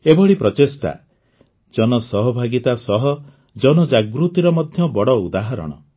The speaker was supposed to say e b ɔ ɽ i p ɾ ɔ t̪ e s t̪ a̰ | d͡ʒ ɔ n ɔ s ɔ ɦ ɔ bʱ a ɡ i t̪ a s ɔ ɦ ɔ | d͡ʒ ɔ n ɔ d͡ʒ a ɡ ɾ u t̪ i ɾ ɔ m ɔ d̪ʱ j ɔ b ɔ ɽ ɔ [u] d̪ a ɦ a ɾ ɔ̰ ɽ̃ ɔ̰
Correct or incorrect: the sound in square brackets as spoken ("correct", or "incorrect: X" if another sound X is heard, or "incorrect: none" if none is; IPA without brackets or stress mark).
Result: correct